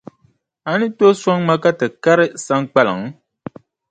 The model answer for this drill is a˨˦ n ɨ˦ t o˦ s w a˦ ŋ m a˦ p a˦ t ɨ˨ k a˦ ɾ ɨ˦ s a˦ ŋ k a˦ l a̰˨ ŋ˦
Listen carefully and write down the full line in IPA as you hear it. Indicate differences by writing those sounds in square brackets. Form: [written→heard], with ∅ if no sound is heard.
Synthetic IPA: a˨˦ n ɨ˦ t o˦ s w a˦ ŋ m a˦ [p→k] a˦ t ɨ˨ k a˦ ɾ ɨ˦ s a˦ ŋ [k→k͡p] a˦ l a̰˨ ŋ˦

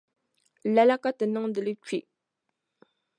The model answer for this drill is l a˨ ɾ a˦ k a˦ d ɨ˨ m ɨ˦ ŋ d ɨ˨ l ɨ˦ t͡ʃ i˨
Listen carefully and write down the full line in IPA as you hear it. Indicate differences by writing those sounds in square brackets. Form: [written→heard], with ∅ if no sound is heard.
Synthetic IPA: l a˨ [ɾ→l] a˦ k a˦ [d→t] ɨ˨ [m→n] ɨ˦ ŋ d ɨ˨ l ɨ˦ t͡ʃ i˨

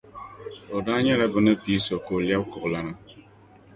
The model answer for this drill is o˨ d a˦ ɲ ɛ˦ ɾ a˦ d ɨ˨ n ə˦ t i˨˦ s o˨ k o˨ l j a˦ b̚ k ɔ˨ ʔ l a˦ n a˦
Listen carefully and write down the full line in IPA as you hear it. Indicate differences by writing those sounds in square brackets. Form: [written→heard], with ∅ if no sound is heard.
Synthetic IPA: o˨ d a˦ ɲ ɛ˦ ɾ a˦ [d→b] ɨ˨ n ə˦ [t→p] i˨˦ s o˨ k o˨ l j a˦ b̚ k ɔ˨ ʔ l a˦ n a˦

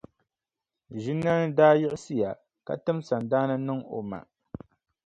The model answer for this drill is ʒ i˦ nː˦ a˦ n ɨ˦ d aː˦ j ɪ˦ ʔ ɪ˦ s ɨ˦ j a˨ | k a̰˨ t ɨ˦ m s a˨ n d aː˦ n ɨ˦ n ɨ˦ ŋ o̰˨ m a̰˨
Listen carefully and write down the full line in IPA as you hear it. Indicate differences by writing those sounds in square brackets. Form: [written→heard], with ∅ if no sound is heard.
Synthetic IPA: ʒ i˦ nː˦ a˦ n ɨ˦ d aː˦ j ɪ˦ ʔ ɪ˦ s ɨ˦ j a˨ | k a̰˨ t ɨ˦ m s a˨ n d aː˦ n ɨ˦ n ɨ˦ ŋ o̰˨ m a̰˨

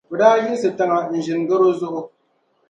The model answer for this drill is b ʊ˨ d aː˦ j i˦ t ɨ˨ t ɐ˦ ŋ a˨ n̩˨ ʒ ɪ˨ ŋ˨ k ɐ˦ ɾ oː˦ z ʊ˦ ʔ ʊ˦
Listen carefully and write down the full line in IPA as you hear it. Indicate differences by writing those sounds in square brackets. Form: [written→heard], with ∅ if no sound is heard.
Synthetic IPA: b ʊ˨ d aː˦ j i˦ [t→s] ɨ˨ t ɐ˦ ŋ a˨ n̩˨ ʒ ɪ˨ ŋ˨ [k→ɡ] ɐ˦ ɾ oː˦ z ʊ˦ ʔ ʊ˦

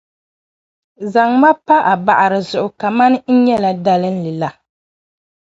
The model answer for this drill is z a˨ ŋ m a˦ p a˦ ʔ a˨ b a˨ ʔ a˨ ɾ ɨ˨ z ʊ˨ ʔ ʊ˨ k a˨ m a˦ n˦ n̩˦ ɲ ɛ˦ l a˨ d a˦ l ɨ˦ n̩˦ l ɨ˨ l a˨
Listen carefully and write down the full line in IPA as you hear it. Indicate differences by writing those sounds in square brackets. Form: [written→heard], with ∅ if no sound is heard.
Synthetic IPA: z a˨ ŋ m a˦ p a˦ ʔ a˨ b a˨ ʔ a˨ ɾ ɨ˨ z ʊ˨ ʔ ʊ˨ k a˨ m a˦ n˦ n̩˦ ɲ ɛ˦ l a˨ d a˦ l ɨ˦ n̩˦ l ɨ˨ l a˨

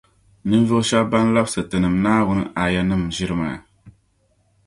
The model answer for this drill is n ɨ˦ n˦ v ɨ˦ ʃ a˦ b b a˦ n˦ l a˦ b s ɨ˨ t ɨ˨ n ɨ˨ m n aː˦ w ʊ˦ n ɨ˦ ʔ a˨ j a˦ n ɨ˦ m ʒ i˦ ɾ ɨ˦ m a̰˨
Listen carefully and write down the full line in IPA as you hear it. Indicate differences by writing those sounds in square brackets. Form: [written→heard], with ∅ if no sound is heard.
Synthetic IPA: n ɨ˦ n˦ v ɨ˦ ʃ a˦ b b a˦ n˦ l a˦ b s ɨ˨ t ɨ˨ n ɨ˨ m n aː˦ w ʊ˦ n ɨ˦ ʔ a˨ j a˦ n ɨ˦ m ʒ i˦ ɾ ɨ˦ m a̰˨

